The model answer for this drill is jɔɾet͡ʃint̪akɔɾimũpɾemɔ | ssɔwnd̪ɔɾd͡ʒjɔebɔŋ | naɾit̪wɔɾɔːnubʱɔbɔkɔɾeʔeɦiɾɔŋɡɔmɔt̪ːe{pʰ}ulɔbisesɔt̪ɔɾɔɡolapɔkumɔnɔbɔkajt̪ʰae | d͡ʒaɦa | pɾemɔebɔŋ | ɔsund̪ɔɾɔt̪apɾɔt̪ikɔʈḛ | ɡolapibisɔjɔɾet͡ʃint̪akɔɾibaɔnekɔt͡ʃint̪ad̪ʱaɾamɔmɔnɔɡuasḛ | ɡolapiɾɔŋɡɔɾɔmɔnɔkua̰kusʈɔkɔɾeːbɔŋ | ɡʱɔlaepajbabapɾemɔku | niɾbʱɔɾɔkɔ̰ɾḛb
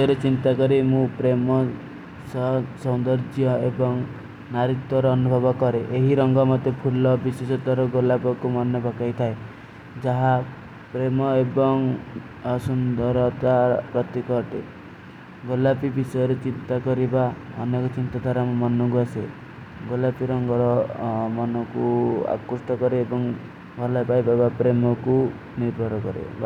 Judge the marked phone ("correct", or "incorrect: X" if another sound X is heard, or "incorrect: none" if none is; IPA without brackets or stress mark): correct